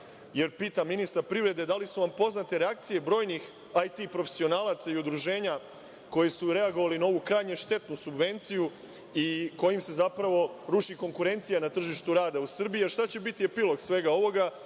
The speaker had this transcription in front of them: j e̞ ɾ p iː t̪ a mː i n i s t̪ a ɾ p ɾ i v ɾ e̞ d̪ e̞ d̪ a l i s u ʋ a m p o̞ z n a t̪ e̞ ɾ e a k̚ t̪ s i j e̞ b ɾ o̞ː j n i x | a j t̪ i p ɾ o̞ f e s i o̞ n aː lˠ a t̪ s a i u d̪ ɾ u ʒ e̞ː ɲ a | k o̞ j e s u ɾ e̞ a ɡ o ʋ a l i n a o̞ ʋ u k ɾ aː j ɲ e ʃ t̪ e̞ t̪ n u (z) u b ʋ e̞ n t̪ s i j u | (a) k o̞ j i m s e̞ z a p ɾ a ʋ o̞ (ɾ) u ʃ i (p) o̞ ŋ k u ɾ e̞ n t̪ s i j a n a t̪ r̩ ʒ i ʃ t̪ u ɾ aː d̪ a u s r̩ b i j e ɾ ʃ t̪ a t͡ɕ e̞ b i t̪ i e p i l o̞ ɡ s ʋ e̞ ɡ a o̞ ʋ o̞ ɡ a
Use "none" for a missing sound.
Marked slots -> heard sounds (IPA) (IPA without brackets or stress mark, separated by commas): s, i, ɾ, k